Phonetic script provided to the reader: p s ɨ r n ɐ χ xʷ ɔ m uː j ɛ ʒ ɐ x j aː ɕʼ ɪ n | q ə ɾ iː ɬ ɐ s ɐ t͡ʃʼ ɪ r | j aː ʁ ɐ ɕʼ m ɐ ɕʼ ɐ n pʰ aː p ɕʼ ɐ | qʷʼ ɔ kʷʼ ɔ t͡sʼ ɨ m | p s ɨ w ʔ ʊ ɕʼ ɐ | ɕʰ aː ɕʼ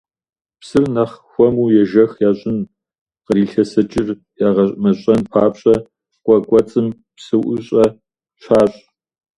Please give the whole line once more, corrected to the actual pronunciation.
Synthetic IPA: p s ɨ r n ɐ χ xʷ ɔ m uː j ɛ ʒ ɐ x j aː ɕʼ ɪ n | q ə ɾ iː ɬ ɐ s ɐ t͡ʃʼ ɪ r | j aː ʁ ɐ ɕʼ m ɐ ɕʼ ɐ n pʰ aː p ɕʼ ɐ | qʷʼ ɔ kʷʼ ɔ t͡sʼ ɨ m | p s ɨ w ʔ ʊ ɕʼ ɐ | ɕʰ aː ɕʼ